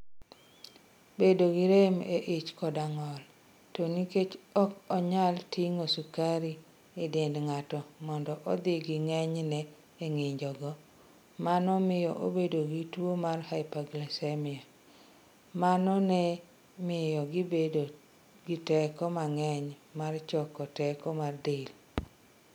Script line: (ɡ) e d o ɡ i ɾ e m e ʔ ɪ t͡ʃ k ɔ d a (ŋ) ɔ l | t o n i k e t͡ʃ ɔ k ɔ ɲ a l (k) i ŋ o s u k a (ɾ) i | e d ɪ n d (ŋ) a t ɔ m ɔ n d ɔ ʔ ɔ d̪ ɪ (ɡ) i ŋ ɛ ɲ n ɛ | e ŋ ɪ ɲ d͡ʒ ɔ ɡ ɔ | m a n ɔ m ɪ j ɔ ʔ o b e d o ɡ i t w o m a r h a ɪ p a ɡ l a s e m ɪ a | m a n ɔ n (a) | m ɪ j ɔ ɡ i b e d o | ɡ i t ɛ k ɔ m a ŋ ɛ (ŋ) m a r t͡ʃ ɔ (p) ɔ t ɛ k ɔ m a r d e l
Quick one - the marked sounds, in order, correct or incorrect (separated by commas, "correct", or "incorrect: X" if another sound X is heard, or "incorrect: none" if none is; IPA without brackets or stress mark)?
incorrect: b, correct, incorrect: t, correct, correct, correct, incorrect: ɛ, incorrect: ɲ, incorrect: k